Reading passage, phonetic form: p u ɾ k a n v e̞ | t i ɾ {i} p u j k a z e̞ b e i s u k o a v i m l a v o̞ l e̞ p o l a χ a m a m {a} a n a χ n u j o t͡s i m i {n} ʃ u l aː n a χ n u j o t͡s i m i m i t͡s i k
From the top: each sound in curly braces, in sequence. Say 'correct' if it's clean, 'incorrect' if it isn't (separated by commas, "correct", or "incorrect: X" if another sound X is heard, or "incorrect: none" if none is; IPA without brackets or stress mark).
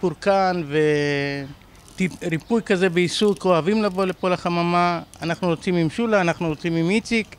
correct, correct, incorrect: m